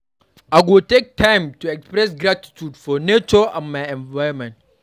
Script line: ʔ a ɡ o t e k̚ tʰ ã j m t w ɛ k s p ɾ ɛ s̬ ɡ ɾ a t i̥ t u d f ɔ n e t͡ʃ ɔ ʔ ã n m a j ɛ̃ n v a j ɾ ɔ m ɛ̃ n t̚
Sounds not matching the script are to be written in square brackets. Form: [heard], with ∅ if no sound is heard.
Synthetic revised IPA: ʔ a ɡ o t e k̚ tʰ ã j m t [u] ɛ k s p ɾ ɛ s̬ ɡ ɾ a t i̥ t u d f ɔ n e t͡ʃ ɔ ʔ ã n m a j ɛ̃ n v a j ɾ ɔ m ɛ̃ n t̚